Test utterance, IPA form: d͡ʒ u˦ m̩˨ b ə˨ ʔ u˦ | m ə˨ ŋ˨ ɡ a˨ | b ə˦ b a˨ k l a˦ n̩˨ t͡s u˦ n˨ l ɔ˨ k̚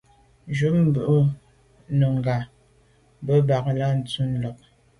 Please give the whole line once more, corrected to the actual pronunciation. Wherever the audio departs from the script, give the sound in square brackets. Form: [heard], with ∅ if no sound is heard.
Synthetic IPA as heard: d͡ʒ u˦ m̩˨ b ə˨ ʔ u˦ | [n] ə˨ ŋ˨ ɡ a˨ | b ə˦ b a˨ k l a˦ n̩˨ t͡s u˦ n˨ l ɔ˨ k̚